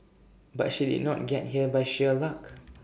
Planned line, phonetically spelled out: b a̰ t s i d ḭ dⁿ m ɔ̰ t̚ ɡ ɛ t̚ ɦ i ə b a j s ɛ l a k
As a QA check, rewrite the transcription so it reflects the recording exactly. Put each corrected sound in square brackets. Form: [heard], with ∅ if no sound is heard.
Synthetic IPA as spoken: b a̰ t [ʃ] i d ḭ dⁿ [n] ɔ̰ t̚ ɡ ɛ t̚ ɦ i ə b a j [ʃ] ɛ l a k